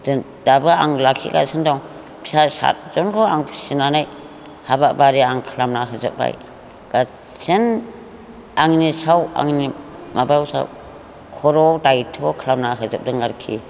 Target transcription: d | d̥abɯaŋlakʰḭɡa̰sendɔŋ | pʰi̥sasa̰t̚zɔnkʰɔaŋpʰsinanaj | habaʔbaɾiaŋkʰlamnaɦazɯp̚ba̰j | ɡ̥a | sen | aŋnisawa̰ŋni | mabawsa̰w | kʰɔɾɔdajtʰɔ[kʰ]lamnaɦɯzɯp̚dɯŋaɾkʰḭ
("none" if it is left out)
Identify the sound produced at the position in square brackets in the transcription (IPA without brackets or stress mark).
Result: kʰ